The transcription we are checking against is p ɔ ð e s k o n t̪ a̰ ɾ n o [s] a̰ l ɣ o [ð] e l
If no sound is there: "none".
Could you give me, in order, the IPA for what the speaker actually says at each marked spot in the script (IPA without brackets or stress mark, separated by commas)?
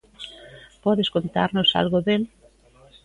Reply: s, ð